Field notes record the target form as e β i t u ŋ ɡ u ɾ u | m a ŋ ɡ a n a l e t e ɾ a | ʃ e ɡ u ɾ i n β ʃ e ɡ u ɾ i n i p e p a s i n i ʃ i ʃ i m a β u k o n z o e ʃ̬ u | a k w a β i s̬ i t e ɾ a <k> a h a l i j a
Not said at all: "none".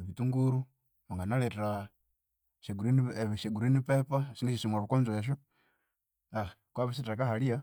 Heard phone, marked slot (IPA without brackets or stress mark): k